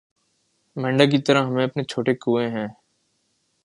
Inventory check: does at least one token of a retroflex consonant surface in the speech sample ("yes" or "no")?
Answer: yes